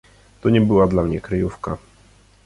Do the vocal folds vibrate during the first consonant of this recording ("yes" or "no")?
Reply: no